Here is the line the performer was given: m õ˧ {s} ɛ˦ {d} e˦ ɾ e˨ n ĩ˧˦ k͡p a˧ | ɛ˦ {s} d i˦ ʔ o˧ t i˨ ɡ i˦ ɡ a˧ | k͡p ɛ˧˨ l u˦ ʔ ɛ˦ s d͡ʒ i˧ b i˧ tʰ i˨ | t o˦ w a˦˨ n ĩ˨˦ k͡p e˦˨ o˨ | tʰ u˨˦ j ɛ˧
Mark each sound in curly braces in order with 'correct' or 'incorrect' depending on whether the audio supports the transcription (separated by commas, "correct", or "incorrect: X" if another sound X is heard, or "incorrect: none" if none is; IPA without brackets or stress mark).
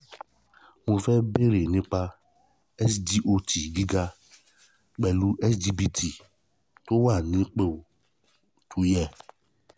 incorrect: f, incorrect: b, correct